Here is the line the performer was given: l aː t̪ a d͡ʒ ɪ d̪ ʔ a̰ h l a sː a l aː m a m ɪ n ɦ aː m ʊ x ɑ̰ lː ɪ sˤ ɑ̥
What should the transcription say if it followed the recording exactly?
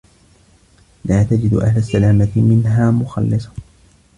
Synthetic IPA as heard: l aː t̪ a d͡ʒ ɪ d̪ ʔ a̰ h l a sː a l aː m a m ɪ n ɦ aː m ʊ x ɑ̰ lː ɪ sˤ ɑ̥